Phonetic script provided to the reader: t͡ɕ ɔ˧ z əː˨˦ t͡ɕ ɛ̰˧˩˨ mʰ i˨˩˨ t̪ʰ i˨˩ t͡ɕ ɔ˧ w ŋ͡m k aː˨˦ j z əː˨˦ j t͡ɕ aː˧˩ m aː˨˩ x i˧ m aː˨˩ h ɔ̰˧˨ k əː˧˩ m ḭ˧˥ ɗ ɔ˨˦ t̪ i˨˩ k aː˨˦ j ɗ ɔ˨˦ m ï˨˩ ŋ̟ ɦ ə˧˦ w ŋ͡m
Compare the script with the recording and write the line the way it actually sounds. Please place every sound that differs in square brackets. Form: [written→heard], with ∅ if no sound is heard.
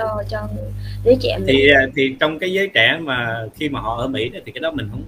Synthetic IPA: t͡ɕ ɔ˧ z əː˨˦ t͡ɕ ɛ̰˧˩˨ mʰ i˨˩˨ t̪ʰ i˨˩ t͡ɕ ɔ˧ w ŋ͡m k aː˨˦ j z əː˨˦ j t͡ɕ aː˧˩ m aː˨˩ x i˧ m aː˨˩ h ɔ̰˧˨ [k→ʔ] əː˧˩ m ḭ˧˥ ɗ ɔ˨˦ t̪ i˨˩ k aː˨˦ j ɗ ɔ˨˦ m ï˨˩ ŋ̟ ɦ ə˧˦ w ŋ͡m